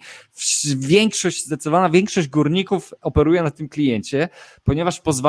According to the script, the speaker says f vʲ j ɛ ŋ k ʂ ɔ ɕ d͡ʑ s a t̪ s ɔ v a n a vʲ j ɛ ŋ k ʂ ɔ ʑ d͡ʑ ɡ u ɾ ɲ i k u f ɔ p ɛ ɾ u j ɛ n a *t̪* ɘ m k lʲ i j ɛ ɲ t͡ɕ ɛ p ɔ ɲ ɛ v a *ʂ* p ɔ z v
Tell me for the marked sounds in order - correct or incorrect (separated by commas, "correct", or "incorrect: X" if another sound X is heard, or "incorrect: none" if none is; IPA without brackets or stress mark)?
correct, correct